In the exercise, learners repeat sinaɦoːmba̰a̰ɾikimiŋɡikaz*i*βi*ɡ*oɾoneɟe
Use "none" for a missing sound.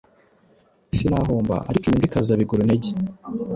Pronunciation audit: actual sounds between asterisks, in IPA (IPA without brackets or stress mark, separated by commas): a, ɡ